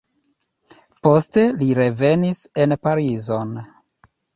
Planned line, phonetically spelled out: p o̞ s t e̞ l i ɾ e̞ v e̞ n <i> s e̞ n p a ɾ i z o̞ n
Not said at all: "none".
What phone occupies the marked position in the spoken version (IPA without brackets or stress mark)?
i